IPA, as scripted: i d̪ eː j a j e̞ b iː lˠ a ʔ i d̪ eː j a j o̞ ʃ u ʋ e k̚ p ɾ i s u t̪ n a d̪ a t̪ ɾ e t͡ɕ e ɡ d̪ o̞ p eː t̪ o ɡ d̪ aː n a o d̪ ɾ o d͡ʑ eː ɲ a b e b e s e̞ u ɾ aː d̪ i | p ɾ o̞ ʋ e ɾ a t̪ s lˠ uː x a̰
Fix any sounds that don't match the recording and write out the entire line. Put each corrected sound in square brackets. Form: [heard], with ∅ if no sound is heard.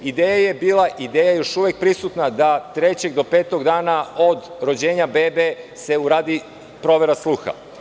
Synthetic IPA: i d̪ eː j a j e̞ b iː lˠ a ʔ i d̪ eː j a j o̞ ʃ u ʋ e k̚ p ɾ i s u t̪ n a d̪ a t̪ ɾ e t͡ɕ e ɡ d̪ o̞ p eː t̪ o ɡ d̪ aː n a o d̪ ɾ o d͡ʑ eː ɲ a b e b e s e̞ u ɾ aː d̪ i | p ɾ o̞ ʋ e ɾ a [∅] s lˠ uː x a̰